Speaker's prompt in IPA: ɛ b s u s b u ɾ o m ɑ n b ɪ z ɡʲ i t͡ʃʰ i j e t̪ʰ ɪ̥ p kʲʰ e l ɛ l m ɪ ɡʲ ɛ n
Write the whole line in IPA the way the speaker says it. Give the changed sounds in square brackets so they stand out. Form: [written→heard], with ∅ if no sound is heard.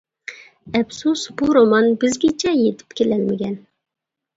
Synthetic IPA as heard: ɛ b s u s b u ɾ o m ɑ n b ɪ z ɡʲ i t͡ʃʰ [i→ɛ] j e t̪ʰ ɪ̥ p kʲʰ e l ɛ l m ɪ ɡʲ ɛ n